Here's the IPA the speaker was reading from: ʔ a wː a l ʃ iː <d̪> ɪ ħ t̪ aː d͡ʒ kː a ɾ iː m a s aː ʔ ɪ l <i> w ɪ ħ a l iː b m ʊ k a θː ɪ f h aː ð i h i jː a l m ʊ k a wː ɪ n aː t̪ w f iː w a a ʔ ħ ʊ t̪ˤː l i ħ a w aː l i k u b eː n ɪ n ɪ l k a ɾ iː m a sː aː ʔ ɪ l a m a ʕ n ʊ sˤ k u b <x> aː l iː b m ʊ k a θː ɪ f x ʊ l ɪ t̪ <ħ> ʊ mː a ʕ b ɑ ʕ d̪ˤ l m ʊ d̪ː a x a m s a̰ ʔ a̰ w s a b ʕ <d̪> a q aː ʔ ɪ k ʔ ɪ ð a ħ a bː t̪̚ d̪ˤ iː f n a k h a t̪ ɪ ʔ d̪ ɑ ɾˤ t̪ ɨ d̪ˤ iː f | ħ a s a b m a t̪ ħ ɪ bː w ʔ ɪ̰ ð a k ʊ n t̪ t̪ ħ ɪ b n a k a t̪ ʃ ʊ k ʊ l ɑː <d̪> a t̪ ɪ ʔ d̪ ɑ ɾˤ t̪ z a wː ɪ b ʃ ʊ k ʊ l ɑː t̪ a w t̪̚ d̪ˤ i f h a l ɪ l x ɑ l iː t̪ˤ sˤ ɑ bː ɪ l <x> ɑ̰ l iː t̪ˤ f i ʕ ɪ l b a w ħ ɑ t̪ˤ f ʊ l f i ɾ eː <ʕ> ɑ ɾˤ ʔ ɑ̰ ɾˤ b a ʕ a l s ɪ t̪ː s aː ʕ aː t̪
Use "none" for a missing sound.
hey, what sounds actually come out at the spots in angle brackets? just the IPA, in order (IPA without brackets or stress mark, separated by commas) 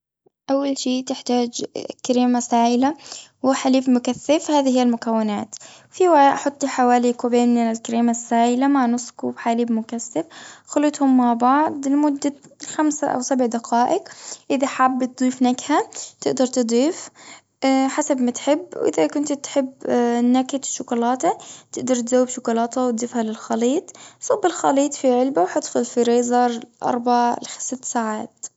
t̪, a, ħ, h, d̪, t̪, x, z